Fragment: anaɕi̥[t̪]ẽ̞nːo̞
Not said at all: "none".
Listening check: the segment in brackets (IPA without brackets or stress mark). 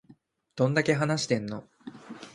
t̪